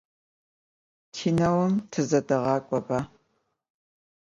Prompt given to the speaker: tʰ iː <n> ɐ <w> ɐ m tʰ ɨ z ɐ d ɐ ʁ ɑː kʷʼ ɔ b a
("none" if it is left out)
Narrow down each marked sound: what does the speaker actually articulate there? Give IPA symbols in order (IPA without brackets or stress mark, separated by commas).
n, w